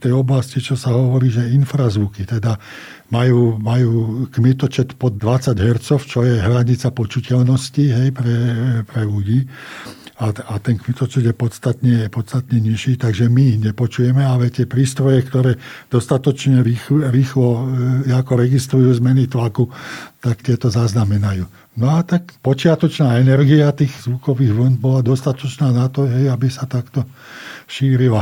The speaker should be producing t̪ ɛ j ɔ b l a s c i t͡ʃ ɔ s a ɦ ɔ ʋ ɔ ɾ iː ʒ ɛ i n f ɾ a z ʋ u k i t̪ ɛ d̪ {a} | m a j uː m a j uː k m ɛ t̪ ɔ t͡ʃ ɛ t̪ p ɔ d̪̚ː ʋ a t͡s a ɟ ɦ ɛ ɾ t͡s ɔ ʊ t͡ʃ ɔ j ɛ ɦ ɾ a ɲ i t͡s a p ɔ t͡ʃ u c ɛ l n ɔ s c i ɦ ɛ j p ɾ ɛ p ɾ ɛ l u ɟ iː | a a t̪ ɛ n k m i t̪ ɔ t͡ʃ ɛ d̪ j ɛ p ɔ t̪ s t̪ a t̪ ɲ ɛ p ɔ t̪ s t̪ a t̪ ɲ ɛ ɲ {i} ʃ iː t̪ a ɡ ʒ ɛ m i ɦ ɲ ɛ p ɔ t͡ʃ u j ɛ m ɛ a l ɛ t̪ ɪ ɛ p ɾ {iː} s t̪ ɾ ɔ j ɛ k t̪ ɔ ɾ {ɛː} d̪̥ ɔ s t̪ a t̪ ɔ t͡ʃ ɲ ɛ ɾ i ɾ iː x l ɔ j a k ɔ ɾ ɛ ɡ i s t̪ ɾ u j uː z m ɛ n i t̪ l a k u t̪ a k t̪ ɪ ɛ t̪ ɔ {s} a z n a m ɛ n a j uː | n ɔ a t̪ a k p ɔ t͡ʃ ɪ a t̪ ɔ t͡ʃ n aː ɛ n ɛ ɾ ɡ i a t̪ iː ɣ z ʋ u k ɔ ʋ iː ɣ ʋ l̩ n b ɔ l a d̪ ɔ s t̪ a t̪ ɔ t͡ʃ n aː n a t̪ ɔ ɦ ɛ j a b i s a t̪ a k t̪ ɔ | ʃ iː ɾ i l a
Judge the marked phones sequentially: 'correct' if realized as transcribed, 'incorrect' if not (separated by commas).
correct, correct, correct, correct, incorrect